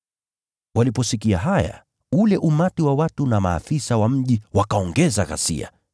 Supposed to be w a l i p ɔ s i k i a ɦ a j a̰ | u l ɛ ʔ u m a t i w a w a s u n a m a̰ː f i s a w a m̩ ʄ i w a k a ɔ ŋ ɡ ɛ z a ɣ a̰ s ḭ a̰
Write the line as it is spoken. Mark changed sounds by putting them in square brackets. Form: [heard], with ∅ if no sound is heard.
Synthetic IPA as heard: w a l i p ɔ s i k i a ɦ a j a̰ | u l ɛ ʔ u m a t i w a w a [t] u n a m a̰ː f i s a w a m̩ ʄ i w a k a ɔ ŋ ɡ ɛ z a ɣ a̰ s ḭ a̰